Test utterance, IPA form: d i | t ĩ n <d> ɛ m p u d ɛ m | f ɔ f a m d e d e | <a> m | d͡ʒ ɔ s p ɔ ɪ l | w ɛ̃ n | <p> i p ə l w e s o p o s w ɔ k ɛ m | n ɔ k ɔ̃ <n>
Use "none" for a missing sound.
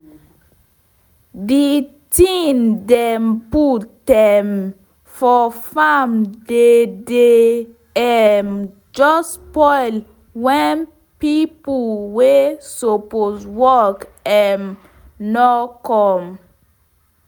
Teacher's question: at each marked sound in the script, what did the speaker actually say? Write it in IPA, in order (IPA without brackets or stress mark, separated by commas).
d, ɛ, p, m